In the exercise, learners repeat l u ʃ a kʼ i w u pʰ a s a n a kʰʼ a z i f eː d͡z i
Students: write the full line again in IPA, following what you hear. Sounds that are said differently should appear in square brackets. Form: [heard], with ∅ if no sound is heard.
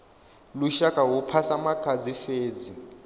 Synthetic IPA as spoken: l u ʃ a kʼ [a] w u pʰ a s a [m] a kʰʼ a [d͡z] i f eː d͡z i